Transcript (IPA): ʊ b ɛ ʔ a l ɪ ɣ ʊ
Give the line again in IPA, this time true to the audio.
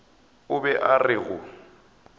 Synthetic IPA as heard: ʊ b ɛ ʔ a r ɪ ɣ ʊ